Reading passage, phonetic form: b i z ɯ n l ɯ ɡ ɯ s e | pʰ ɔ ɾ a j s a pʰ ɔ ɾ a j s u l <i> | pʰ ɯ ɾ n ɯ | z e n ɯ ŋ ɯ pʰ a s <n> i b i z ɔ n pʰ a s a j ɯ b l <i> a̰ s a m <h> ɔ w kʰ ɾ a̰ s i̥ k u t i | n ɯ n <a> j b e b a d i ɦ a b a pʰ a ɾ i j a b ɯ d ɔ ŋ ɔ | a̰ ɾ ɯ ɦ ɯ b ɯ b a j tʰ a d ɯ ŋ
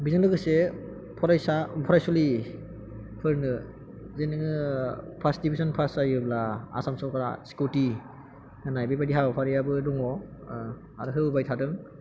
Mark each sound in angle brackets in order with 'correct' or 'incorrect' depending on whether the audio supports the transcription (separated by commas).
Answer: correct, incorrect, incorrect, incorrect, correct